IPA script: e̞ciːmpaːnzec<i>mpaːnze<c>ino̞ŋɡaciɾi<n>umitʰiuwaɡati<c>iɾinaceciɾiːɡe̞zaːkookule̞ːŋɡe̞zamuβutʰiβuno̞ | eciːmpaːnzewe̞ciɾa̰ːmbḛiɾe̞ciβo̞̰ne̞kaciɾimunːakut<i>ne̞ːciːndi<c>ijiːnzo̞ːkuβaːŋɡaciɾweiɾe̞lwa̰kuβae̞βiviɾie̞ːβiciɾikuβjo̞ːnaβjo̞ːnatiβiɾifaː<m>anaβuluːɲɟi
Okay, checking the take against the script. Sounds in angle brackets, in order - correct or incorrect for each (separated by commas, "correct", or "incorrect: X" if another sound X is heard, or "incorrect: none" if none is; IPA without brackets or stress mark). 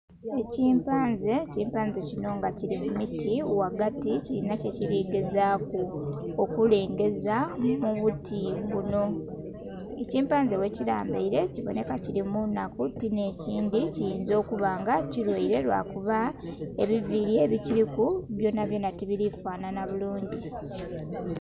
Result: incorrect: iː, correct, incorrect: m, correct, correct, correct, incorrect: n